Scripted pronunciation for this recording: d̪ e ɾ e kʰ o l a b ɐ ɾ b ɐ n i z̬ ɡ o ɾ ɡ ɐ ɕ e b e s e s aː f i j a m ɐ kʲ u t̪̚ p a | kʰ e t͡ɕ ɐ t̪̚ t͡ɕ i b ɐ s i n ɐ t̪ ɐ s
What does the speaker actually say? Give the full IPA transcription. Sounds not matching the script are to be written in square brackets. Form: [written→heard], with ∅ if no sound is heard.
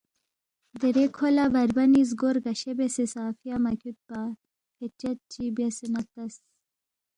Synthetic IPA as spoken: d̪ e ɾ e kʰ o l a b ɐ ɾ b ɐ n i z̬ ɡ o ɾ ɡ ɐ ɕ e b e s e s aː f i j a m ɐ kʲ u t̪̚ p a | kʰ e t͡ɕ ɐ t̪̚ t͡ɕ i b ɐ s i n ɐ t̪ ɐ s